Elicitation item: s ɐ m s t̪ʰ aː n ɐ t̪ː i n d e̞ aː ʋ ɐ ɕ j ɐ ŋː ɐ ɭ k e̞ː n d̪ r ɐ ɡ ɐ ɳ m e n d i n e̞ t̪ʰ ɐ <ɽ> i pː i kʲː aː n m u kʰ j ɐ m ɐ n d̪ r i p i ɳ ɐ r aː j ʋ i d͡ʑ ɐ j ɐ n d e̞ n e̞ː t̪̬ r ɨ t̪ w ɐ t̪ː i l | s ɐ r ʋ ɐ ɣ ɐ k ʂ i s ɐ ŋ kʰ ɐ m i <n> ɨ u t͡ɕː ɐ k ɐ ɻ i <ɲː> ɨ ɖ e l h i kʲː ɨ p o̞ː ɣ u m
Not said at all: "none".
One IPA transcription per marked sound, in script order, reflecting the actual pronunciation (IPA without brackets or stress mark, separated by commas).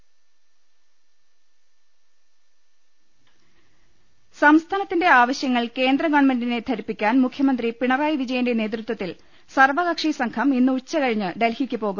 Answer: ɾ, nː, ɲː